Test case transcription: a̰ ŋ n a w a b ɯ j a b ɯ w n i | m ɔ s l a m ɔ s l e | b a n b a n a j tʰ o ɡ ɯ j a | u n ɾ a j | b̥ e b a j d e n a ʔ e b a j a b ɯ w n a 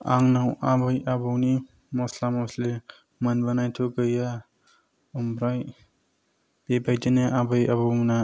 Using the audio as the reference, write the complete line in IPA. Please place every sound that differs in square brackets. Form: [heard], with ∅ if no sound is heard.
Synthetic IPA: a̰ ŋ n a w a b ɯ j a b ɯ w n i | m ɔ s l a m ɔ s l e | [m] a n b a n a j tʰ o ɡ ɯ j a | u [m] ɾ a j | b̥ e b a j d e n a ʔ [a] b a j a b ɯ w n a